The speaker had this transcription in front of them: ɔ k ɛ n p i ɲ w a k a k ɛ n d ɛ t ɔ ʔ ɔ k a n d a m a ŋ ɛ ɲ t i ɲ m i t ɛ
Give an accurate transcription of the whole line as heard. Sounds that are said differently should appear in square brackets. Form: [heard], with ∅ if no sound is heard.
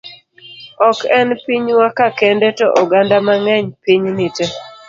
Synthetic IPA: ɔ k ɛ n p i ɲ w a k a k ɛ n d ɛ t ɔ ʔ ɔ [ɡ] a n d a m a ŋ ɛ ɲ [p] i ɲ [n] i t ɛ